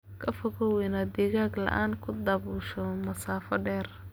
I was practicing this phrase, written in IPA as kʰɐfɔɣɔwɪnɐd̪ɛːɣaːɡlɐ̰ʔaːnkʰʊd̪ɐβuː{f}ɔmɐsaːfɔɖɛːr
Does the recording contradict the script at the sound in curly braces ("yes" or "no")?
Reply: yes